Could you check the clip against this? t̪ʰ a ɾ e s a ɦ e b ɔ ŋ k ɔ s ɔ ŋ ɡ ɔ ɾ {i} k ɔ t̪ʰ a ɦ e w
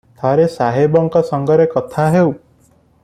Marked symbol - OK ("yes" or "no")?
no